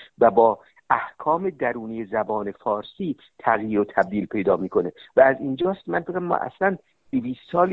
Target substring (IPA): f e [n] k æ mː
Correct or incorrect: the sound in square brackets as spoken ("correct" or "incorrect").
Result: incorrect